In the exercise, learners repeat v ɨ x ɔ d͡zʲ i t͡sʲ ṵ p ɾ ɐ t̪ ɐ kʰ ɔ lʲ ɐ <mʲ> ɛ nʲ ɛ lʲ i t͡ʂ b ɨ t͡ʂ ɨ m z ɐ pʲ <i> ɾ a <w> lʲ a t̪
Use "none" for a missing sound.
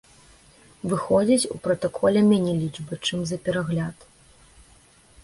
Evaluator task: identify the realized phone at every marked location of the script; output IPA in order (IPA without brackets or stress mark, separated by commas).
mʲ, ɛ, ɣ